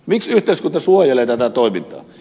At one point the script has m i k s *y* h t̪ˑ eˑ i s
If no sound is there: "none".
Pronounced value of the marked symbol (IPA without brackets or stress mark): y